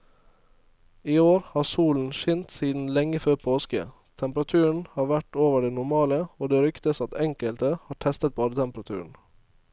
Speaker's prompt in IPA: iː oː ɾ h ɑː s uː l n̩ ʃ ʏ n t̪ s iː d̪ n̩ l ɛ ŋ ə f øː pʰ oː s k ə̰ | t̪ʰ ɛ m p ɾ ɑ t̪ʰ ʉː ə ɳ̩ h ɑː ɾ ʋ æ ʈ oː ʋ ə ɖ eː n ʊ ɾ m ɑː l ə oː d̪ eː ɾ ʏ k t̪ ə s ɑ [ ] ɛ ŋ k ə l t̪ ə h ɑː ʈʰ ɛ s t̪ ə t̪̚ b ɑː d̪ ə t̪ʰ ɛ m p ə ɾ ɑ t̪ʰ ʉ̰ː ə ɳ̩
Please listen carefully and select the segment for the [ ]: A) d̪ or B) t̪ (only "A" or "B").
B